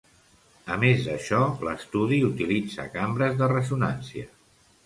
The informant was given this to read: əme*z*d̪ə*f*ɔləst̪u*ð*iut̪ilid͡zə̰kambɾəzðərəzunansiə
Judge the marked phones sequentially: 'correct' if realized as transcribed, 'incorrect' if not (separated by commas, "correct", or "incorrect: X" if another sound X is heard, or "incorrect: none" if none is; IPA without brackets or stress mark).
correct, incorrect: ʃ, correct